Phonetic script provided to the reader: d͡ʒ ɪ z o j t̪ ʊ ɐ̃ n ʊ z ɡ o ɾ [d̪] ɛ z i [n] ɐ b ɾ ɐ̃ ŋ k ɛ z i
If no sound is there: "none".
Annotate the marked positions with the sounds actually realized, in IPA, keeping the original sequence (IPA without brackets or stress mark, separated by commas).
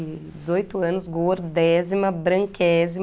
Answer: d̪, m